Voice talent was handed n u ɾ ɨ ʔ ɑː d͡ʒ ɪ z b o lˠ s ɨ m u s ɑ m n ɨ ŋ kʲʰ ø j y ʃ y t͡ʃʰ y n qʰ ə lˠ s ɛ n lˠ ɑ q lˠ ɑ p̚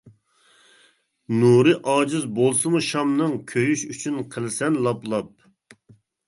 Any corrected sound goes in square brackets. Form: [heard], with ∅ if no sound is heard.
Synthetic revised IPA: n u ɾ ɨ ʔ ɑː d͡ʒ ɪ z b o lˠ s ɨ m u [ʃ] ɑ m n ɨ ŋ kʲʰ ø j y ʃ y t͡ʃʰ y n qʰ ə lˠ s ɛ n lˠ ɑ [p] lˠ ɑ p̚